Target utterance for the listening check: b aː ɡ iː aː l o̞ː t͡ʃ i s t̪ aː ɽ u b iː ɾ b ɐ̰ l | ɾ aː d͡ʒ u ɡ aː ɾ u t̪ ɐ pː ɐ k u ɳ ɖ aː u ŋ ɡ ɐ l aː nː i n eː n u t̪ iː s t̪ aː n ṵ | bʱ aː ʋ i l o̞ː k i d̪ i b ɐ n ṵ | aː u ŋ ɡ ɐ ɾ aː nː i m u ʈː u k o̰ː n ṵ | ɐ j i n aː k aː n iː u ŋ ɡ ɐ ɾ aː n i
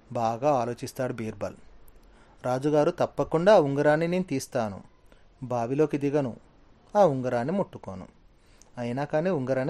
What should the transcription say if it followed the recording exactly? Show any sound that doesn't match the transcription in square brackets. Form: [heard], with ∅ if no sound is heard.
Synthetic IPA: b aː ɡ [aː] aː l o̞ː t͡ʃ i s t̪ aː ɽ u b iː ɾ b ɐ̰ l | ɾ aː d͡ʒ u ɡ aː ɾ u t̪ ɐ pː ɐ k u ɳ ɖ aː u ŋ ɡ ɐ [ɾ] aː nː i n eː n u t̪ iː s t̪ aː n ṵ | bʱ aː ʋ i l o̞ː k i d̪ i [ɡ] ɐ n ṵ | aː u ŋ ɡ ɐ ɾ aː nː i m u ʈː u k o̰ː n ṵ | ɐ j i n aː k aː n iː u ŋ ɡ ɐ ɾ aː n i